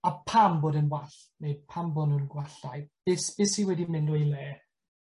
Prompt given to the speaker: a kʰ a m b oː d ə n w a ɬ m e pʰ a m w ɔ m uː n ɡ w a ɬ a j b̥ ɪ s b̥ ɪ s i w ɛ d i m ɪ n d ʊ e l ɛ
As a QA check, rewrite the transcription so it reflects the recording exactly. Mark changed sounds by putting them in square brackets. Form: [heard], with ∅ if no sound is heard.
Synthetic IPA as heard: a [pʰ] a m b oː d ə n w a ɬ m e pʰ a m [b] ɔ [n] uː n ɡ w a ɬ a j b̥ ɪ s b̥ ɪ s i w ɛ d i m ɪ n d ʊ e l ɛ